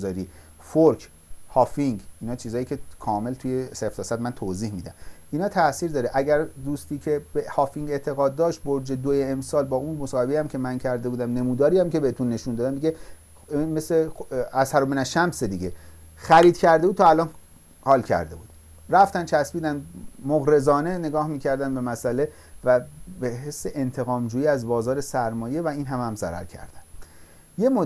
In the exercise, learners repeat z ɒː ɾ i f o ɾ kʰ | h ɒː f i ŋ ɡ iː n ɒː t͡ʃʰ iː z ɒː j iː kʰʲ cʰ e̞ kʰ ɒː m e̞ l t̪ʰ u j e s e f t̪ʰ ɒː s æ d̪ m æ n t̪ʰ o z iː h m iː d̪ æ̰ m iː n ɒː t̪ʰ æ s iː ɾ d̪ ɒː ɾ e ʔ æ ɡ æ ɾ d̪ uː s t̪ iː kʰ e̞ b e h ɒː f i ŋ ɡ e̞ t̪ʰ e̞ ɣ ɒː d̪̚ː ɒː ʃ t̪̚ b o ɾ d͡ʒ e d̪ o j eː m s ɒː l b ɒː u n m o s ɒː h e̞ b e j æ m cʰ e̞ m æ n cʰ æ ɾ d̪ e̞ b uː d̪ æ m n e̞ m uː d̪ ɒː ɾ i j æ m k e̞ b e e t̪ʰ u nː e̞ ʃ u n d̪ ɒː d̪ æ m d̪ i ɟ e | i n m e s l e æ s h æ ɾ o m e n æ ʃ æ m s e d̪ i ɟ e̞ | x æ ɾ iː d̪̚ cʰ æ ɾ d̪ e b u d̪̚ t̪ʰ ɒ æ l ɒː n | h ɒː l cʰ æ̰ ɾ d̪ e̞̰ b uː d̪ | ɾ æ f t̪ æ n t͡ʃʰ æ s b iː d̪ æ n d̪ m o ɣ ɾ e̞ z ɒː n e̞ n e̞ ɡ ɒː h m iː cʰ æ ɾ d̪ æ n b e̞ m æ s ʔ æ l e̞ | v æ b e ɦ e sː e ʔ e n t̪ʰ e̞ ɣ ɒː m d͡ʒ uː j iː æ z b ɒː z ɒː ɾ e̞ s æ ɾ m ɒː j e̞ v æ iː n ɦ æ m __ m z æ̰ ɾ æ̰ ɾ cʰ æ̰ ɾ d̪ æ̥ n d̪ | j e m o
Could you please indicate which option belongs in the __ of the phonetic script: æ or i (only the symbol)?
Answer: æ